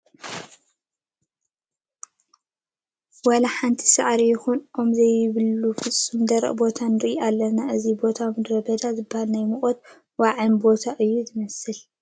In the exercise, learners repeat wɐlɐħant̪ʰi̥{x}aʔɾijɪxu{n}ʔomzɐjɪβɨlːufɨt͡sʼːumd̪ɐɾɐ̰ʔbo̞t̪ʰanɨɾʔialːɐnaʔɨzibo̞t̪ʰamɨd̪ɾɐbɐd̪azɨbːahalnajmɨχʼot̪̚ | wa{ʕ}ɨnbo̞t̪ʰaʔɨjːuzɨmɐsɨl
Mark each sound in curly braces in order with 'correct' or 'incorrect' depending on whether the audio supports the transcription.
incorrect: s, correct, correct

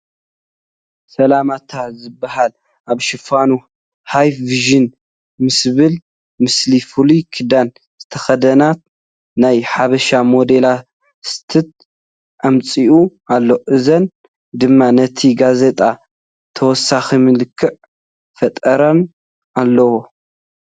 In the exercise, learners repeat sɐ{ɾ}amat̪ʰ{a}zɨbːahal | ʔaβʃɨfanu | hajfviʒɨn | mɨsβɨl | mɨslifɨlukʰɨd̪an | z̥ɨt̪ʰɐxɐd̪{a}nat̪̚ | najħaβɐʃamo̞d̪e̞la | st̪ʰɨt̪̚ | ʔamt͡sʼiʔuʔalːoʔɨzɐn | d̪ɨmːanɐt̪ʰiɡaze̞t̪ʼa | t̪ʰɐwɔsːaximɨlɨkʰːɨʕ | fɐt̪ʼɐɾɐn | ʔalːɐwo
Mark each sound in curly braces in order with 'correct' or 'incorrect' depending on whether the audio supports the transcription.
incorrect: l, correct, incorrect: ɐ

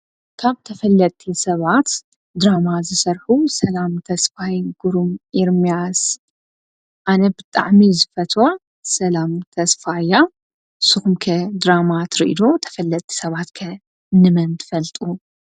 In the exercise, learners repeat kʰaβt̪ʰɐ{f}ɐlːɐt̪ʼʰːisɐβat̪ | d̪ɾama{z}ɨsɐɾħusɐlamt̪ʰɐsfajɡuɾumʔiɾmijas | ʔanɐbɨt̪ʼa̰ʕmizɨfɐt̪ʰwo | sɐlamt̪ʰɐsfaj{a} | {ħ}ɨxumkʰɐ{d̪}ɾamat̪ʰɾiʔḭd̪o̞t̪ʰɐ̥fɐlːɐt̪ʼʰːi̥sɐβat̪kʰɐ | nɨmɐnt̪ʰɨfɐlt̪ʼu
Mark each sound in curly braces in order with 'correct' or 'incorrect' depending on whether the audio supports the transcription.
correct, correct, correct, incorrect: s, correct

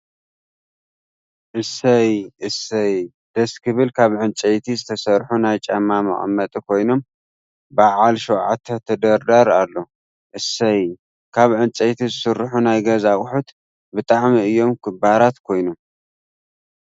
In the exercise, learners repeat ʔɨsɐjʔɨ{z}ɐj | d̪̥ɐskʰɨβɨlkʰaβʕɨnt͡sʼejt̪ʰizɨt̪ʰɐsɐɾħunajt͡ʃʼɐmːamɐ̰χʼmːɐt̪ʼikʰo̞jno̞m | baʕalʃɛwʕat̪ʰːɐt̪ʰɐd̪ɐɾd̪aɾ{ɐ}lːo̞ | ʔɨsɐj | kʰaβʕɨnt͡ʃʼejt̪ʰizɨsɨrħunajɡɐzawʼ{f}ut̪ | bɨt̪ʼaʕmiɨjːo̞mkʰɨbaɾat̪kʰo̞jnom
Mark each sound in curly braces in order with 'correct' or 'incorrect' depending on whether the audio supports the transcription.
incorrect: s, incorrect: a, incorrect: ħ

